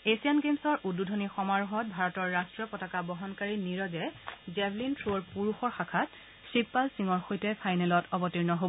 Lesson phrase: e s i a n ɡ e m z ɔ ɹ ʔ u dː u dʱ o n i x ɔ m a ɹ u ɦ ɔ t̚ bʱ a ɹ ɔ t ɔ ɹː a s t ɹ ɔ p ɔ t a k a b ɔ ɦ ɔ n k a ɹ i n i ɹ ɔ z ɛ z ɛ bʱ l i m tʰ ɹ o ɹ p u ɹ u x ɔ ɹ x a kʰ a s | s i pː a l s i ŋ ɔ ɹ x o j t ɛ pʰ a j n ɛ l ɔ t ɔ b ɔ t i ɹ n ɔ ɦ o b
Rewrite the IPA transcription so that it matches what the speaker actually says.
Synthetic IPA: e s i a n ɡ e m s ɔ ɹ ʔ u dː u dʱ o n i x ɔ m a ɹ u ɦ ɔ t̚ bʱ a ɹ ɔ t ɔ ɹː a s t ɹ ɔ p ɔ t a k a b ɔ ɦ ɔ n k a ɹ i n i ɹ ɔ z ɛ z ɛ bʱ l i n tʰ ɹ o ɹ p u ɹ u x ɔ ɹ x a kʰ a t | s i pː a l s i ŋ ɔ ɹ x o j t ɛ pʰ a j n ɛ l ɔ t ɔ b ɔ t i ɹ n ɔ ɦ o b